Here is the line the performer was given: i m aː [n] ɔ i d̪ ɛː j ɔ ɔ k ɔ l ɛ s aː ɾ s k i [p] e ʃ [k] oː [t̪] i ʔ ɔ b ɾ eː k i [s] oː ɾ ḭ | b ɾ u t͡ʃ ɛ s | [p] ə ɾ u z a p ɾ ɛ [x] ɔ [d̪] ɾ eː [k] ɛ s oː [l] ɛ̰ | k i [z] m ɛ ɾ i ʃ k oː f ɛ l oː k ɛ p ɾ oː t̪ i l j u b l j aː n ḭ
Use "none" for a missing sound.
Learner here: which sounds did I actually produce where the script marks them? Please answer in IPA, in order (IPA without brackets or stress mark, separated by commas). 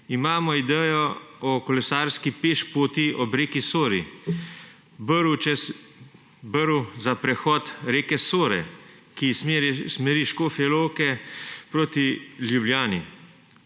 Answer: m, p, p, t̪, s, b, x, t̪, k, ɾ, s